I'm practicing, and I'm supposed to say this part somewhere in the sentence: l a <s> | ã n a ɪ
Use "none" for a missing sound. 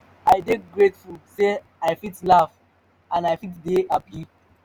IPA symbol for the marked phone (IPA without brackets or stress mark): f